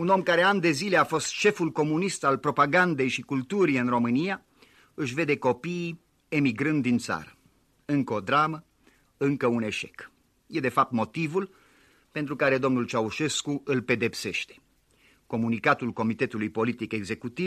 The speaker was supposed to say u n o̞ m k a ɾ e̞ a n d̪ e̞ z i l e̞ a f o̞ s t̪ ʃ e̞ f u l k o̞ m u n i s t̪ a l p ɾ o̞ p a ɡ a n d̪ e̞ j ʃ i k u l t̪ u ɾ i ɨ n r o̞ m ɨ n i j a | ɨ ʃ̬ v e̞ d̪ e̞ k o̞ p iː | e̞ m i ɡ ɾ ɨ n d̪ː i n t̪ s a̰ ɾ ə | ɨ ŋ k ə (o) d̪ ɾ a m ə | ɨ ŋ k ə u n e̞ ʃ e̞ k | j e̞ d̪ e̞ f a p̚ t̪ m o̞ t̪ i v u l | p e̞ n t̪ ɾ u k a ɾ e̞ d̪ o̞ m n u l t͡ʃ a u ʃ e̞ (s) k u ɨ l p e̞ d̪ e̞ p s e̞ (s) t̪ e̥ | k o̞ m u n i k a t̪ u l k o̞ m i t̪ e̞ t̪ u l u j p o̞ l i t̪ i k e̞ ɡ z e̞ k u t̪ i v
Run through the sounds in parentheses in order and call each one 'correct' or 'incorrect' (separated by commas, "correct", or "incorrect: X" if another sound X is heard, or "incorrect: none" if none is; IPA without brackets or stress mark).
correct, correct, incorrect: ʃ